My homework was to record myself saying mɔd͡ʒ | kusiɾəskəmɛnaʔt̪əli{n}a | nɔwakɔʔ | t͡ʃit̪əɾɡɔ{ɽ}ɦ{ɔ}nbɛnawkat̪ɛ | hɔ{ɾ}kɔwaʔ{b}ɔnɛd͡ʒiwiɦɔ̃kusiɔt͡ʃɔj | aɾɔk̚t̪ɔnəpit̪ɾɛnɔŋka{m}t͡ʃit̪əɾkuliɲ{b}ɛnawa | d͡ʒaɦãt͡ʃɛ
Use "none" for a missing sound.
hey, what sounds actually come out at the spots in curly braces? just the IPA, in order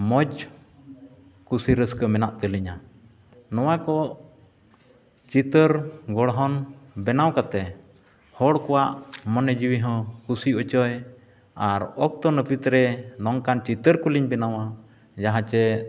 ɲ, ɽ, ɔ, ɽ, m, n, b

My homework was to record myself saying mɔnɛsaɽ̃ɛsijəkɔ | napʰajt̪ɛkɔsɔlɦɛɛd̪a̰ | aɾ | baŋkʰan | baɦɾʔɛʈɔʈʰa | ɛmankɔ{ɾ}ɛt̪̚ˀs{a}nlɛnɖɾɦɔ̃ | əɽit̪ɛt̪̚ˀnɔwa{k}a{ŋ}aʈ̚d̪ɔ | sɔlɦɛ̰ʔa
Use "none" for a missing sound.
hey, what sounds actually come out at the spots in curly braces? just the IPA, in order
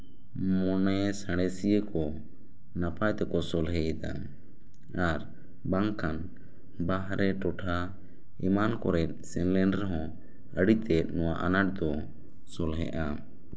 ɾ, ɛ, ʔ, n

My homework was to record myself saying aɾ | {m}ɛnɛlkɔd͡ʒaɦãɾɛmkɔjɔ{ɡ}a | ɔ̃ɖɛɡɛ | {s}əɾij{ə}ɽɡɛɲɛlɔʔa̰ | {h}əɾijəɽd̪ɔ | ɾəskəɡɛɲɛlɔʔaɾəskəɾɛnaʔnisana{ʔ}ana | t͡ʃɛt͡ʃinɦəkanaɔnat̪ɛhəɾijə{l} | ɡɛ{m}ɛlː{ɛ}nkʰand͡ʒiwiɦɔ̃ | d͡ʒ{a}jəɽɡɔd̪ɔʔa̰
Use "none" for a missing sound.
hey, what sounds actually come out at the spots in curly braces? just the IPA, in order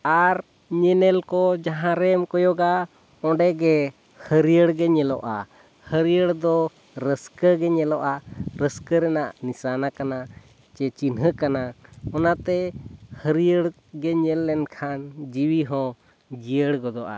ɲ, ɡ, h, ə, h, k, ɽ, ɲ, ɛ, i

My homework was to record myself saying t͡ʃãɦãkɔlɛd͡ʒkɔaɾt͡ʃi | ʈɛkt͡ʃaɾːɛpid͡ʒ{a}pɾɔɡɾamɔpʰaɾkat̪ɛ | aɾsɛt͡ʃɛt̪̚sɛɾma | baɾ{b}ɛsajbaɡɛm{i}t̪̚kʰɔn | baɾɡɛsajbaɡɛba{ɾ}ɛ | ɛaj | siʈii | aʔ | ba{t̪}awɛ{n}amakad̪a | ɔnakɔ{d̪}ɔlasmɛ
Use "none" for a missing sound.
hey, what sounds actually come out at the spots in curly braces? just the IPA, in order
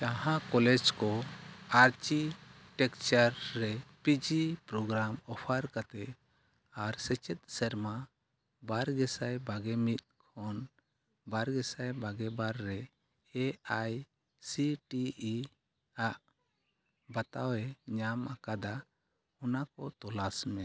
i, ɡ, i, ɾː, t̪, ɲ, t̪

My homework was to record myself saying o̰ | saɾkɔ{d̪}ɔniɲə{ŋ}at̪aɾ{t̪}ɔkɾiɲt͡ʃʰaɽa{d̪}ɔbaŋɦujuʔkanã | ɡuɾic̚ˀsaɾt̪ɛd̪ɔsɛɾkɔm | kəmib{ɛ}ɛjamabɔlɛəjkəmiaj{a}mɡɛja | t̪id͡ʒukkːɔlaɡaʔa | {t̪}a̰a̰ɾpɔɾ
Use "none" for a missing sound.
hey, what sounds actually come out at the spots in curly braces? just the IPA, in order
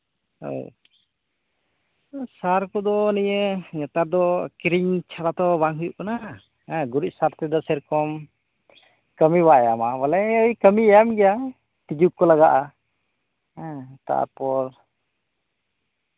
d̪, ɲ, d̪, t̪, a, a, t̪

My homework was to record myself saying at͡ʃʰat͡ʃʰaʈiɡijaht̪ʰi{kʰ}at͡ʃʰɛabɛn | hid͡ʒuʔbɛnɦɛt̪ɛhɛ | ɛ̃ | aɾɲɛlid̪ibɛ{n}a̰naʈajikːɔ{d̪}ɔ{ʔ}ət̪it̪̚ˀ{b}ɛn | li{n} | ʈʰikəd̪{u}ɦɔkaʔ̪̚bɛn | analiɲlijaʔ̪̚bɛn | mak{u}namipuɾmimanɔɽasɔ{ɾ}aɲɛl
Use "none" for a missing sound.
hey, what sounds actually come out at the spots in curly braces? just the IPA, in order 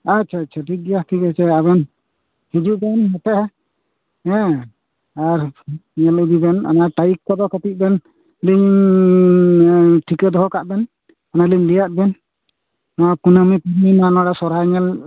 k, n, d̪, k, b, ɲ, ɔ, u, ɾ

